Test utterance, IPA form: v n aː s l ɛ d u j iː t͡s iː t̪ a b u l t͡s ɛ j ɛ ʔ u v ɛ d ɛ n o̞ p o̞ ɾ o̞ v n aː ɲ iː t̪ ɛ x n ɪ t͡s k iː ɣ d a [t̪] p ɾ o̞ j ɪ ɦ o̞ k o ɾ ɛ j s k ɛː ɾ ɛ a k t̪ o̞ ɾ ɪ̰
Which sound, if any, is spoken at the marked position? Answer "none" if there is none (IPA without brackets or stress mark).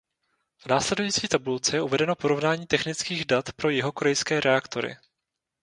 t̪